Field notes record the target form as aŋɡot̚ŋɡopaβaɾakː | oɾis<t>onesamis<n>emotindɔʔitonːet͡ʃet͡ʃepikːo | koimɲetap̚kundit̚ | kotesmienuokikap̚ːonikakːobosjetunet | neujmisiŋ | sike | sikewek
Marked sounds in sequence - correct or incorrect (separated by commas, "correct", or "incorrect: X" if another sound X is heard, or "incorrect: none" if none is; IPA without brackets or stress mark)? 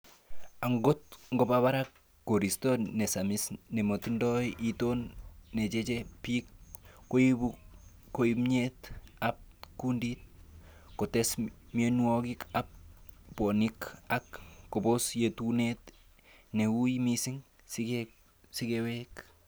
correct, correct